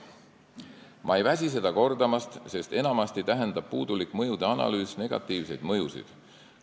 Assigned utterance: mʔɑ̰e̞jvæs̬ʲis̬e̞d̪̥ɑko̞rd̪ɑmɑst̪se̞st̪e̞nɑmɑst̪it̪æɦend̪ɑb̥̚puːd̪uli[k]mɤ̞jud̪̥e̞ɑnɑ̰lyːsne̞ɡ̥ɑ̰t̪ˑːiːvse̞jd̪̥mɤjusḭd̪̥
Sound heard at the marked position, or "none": k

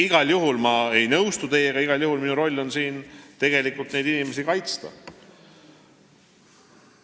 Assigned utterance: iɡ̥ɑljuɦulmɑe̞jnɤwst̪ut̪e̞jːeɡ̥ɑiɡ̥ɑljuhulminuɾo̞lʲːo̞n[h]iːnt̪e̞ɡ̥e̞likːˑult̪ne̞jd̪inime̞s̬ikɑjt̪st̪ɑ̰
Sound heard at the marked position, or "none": s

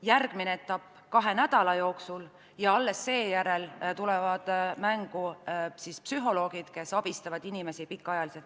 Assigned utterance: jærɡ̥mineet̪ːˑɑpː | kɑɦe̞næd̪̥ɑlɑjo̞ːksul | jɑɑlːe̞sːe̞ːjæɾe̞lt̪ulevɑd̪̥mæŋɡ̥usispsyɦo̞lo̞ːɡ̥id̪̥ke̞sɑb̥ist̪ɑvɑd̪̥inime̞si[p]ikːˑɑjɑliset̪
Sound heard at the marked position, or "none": p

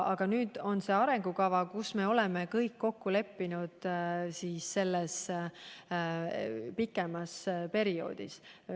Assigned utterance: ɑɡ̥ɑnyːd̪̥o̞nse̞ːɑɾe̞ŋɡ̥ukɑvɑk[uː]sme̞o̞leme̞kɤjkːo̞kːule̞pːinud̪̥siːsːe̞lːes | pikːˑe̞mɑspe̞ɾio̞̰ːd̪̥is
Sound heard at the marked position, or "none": u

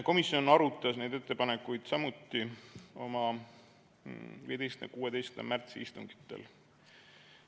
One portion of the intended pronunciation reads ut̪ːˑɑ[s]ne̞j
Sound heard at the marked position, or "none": s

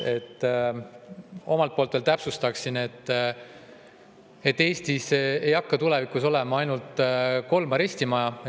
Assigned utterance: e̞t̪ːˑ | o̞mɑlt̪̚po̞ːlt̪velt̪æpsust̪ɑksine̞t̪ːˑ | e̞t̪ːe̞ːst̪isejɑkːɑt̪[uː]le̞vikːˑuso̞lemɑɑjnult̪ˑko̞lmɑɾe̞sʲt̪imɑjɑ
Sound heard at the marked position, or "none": u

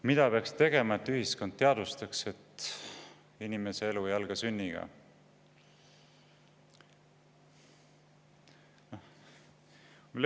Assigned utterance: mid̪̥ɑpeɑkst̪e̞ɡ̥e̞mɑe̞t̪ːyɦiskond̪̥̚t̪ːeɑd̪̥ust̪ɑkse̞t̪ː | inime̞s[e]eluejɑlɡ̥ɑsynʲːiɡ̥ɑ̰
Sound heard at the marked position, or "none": e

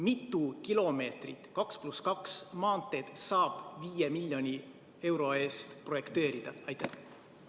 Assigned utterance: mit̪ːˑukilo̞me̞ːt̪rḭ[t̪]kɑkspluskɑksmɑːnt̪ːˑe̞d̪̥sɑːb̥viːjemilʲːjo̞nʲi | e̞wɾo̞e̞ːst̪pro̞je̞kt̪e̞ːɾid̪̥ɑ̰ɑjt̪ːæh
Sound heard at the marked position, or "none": t̪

